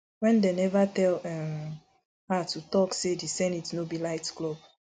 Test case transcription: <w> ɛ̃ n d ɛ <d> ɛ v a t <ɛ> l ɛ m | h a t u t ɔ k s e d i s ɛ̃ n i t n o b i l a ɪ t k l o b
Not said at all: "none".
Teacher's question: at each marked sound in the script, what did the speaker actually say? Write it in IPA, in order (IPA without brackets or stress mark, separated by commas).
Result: w, n, ɛ